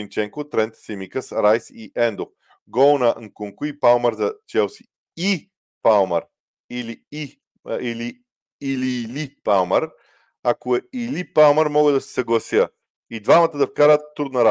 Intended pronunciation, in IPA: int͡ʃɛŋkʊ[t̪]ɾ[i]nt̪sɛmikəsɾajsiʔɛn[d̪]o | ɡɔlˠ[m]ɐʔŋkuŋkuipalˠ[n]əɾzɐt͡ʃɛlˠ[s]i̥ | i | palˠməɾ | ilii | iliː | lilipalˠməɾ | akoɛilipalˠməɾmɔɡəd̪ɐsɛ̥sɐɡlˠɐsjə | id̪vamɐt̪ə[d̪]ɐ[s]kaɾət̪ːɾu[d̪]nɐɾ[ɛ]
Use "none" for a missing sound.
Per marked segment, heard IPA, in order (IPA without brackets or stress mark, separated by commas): t̪, ɛ, d̪, n, m, s, d̪, f, d̪, a